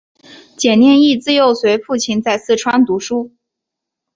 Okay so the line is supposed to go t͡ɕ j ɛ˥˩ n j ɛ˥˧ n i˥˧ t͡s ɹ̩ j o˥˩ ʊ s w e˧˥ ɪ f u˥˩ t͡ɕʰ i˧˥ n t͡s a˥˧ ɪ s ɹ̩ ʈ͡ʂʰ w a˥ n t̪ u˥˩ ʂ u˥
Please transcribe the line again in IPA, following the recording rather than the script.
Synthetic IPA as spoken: t͡ɕ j ɛ˨˩ n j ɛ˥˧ n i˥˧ t͡s ɹ̩ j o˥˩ ʊ s w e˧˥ ɪ f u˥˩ t͡ɕʰ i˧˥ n t͡s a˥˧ ɪ s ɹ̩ ʈ͡ʂʰ w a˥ n t̪ u˧˥ ʂ u˥